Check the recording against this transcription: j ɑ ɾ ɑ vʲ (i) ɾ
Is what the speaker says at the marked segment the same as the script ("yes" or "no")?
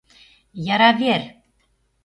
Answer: no